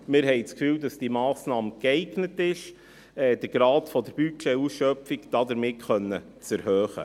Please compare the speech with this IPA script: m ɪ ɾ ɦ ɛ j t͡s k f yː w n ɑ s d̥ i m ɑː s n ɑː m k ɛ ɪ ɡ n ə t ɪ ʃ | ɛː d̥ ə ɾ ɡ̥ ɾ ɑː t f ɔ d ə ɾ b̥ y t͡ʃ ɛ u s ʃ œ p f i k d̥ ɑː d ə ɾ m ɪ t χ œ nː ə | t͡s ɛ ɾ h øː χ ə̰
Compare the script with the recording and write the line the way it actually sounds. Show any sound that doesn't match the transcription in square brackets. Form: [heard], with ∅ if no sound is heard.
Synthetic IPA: m ɪ ɾ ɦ ɛ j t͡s k f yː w [d] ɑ s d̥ i m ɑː s n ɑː m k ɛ ɪ ɡ n ə t ɪ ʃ | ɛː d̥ ə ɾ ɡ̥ ɾ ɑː t f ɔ d ə ɾ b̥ y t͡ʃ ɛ u s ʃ œ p f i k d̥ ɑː d ə ɾ m ɪ t χ œ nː ə | t͡s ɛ ɾ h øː χ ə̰